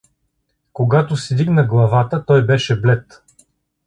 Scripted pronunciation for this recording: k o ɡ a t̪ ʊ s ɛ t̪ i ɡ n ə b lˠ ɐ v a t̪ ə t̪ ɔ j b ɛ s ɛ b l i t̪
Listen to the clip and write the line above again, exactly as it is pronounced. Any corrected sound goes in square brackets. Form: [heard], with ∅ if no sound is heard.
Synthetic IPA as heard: k o ɡ a t̪ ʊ s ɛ [d̪] i ɡ n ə [ɡ] lˠ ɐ v a t̪ ə t̪ ɔ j b ɛ [ʃ] ɛ b l [ɛ] t̪